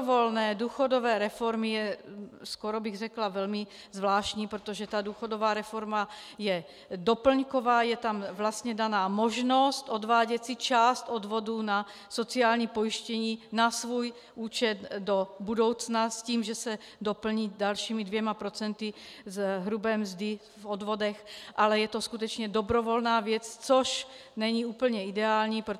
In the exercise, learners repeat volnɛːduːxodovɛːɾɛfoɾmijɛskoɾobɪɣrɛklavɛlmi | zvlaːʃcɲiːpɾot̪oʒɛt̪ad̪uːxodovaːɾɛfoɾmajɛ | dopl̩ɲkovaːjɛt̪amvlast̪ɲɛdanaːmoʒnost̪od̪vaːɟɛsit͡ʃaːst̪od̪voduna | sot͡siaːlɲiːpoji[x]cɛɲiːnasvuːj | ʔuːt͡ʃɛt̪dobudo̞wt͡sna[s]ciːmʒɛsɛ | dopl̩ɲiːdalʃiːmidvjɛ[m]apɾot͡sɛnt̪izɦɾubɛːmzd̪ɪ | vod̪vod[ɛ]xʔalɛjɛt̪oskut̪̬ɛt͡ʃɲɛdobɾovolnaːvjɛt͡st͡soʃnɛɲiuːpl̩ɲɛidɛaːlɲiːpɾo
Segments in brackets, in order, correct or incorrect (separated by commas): incorrect, correct, correct, correct